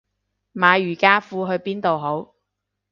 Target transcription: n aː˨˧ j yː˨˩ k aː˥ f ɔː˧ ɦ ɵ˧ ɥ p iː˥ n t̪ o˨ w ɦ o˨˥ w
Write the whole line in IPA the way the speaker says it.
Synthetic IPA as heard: m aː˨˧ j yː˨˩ k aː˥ f uː˧ ɦ ɵ˧ ɥ p iː˥ n t̪ o˨ w ɦ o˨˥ w